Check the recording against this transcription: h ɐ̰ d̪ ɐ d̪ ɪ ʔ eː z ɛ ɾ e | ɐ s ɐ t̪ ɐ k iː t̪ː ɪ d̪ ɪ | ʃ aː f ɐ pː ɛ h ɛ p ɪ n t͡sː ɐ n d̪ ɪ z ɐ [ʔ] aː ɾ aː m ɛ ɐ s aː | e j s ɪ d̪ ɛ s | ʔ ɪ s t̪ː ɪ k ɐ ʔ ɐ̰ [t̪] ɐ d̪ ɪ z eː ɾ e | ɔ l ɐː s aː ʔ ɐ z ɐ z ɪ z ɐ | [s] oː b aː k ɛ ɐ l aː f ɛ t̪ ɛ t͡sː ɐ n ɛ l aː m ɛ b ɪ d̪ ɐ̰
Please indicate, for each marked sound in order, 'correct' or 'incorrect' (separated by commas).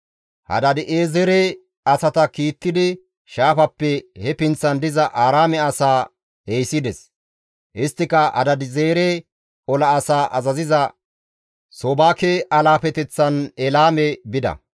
correct, incorrect, correct